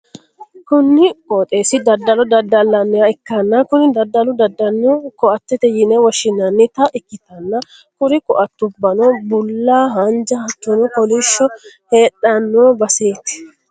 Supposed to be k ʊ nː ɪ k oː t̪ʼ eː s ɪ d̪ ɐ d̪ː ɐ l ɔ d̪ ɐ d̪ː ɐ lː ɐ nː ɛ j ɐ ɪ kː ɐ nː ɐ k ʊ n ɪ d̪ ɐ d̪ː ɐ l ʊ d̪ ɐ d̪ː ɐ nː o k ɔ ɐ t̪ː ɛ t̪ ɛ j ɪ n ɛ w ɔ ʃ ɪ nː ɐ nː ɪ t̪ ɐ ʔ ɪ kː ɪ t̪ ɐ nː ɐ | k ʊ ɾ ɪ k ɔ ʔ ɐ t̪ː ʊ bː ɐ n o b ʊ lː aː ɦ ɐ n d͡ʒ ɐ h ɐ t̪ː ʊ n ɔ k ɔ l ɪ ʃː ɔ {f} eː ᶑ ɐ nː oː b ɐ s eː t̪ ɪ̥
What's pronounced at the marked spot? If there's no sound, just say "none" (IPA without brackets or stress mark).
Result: h